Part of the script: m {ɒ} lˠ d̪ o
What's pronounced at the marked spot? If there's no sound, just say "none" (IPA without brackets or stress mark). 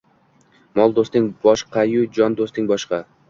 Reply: ɒ